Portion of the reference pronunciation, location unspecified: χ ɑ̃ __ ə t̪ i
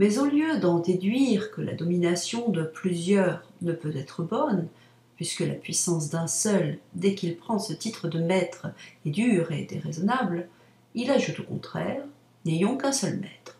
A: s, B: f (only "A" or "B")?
A